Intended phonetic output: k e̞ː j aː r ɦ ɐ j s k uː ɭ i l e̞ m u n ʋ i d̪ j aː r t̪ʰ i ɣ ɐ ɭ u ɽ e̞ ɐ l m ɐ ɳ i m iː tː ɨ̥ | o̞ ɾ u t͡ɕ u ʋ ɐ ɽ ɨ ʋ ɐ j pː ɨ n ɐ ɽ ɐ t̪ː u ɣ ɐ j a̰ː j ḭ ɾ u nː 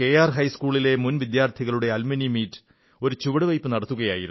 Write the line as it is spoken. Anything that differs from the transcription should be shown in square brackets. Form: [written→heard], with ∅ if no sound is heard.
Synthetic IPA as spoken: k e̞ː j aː r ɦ ɐ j s k uː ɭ i l e̞ m u n ʋ i d̪ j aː r t̪ʰ i ɣ ɐ ɭ u ɽ e̞ ɐ l m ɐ [ɳ→n] i m iː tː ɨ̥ | o̞ ɾ u t͡ɕ u ʋ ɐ ɽ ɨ ʋ ɐ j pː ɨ n ɐ ɽ ɐ t̪ː u ɣ ɐ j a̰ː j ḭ ɾ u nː